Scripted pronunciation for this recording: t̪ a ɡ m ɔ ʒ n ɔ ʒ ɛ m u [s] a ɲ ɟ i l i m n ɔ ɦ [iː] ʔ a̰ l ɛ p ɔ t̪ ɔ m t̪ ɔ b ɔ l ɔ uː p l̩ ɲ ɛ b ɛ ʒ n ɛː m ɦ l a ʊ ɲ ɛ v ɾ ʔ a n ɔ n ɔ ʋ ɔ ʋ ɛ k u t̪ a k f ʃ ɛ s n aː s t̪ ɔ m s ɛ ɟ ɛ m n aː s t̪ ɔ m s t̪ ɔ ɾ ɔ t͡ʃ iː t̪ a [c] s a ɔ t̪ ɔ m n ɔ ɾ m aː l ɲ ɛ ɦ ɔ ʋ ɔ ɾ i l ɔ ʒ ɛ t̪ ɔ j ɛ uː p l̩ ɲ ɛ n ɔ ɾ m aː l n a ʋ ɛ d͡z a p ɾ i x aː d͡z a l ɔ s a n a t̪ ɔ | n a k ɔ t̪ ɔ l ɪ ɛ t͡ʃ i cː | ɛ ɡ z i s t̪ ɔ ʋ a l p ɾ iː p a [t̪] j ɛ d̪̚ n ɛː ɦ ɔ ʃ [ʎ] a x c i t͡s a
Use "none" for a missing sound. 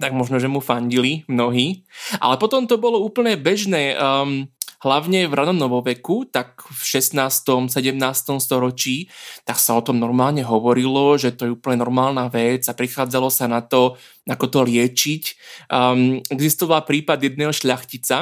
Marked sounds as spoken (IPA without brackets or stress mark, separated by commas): f, iː, k, d̪, ʎ